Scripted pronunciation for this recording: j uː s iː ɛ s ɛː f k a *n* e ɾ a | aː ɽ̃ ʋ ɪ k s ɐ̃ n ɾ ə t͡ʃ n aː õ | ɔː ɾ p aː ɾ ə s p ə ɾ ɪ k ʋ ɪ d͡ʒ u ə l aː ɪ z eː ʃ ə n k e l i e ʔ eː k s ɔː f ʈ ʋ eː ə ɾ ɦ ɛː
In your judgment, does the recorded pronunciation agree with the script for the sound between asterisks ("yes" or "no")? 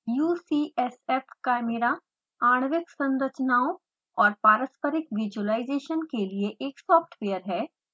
no